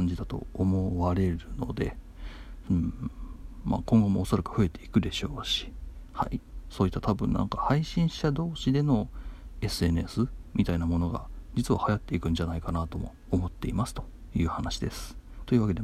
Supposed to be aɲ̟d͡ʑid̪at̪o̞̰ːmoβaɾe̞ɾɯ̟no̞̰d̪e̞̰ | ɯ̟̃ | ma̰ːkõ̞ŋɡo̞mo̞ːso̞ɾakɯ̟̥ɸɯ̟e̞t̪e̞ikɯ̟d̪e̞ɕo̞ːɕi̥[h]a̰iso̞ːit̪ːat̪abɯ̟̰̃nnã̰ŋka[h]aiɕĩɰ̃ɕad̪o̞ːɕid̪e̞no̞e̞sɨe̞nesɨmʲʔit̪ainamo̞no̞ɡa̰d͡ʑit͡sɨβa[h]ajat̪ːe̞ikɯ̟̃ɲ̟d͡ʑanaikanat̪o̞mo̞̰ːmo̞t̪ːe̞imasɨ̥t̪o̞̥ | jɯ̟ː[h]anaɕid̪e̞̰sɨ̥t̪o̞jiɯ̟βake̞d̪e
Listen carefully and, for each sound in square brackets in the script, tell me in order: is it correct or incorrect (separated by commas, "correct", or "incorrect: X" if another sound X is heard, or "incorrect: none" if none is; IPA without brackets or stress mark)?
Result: correct, correct, correct, correct